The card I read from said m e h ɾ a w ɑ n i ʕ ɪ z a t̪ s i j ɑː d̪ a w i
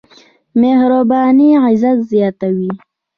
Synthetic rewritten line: m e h ɾ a b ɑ n i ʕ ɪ z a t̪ z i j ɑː t̪ a w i